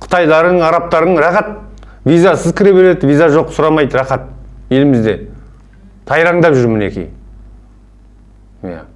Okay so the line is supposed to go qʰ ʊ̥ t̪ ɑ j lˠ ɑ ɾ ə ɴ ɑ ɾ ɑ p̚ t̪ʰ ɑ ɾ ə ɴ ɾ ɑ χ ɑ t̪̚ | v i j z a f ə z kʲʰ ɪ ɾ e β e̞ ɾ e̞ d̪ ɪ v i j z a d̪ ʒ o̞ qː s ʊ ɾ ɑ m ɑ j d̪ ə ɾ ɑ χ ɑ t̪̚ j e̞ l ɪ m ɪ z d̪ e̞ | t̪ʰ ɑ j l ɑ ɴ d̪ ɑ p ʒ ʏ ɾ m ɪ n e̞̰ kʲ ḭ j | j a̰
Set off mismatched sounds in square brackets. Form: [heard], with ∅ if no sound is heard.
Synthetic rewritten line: qʰ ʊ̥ t̪ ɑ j lˠ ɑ ɾ ə ɴ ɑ ɾ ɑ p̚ [t̪] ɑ ɾ ə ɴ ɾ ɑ χ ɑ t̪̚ | v i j z a [s] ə z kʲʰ ɪ ɾ e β e̞ ɾ e̞ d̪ ɪ v i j z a [∅] ʒ o̞ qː s ʊ ɾ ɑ m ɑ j d̪ ə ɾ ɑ χ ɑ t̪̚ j e̞ l ɪ m ɪ z d̪ e̞ | t̪ʰ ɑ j [ɾ] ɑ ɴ d̪ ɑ p ʒ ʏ ɾ m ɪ n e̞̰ kʲ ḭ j | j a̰